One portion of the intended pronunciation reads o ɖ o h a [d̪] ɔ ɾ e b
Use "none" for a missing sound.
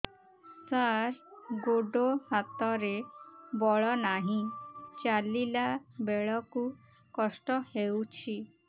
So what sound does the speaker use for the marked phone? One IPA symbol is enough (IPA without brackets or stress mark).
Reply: t̪